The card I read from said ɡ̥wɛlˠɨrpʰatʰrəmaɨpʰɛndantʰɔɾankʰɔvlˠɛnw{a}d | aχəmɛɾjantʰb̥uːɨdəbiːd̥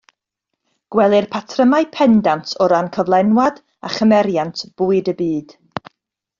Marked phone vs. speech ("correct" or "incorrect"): correct